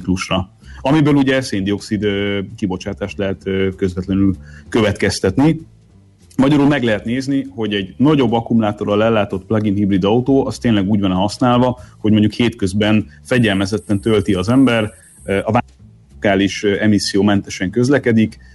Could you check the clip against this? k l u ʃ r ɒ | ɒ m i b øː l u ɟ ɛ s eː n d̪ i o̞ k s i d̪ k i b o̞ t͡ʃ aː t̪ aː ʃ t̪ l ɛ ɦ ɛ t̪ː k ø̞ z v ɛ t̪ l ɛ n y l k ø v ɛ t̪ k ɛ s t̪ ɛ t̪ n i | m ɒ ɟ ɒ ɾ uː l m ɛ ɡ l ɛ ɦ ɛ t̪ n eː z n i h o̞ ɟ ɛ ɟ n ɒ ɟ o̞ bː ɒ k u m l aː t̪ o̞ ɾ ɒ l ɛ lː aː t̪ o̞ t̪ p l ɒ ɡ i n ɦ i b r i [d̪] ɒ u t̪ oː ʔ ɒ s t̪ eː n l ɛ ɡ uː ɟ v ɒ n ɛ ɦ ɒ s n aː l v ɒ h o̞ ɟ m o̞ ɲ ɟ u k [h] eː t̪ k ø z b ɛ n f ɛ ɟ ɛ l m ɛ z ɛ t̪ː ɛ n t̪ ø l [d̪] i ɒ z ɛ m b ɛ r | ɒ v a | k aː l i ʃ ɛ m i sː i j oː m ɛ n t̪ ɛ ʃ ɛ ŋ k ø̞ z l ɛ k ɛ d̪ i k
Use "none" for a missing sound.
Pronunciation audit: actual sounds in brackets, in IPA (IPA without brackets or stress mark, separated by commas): d̪, h, t̪